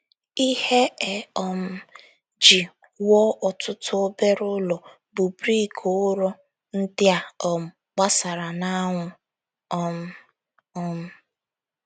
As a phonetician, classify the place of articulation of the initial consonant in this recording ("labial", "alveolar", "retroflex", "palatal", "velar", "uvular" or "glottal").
glottal